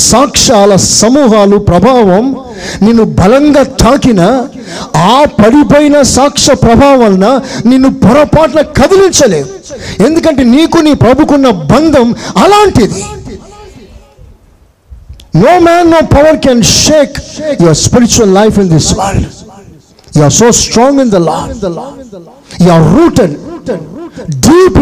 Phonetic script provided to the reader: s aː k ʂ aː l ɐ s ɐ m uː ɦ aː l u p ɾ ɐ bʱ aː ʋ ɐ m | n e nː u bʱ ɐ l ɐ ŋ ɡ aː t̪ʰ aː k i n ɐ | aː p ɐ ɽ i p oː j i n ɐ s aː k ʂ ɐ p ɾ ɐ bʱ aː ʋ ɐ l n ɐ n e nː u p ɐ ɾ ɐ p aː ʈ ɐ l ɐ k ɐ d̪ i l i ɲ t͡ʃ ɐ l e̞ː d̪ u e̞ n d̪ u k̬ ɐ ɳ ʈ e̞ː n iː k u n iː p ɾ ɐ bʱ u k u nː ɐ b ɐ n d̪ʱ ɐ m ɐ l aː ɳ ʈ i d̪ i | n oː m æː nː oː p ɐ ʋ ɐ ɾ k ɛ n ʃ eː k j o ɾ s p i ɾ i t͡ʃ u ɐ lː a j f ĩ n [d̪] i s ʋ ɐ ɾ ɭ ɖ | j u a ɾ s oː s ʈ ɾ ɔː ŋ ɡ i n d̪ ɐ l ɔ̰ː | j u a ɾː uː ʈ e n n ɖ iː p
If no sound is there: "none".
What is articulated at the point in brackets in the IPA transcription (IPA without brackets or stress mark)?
d̪